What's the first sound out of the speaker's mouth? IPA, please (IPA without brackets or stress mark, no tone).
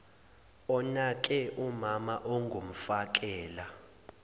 ɔ